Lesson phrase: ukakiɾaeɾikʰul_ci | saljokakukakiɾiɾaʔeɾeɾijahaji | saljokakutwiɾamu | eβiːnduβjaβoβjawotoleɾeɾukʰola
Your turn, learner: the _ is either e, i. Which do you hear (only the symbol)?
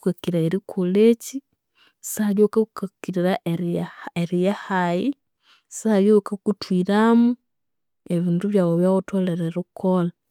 e